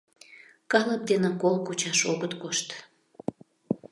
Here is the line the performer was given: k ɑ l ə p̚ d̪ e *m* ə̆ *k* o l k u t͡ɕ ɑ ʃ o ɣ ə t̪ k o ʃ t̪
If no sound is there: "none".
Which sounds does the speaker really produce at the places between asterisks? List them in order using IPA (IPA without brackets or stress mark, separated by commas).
n, k